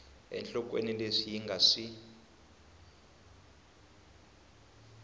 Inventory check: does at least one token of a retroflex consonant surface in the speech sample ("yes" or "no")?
yes